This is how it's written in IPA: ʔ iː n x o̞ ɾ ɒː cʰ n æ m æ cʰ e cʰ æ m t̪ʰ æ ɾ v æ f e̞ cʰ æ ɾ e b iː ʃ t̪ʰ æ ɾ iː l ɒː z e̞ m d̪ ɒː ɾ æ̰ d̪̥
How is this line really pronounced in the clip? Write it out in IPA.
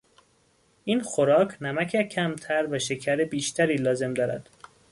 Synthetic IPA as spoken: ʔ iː n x o̞ ɾ ɒː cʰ n æ m æ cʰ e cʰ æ m t̪ʰ æ ɾ v æ ʃ e̞ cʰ æ ɾ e b iː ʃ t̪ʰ æ ɾ iː l ɒː z e̞ m d̪ ɒː ɾ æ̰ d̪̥